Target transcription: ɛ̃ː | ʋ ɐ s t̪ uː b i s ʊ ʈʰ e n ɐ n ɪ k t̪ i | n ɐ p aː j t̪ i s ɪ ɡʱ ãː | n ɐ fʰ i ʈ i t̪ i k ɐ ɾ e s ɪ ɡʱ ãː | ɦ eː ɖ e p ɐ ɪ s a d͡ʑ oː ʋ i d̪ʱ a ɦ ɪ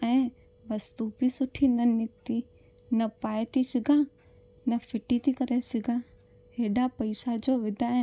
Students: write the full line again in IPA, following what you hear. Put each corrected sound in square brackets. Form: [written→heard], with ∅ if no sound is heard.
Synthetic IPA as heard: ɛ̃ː | ʋ ɐ s t̪ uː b i s ʊ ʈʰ [e→i] n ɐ n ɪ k t̪ i | n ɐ p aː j t̪ i s ɪ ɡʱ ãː | n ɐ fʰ [i→ɪ] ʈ i t̪ i k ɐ ɾ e s ɪ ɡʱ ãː | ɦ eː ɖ [e→a] p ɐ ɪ s a d͡ʑ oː ʋ [i→ɪ] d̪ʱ a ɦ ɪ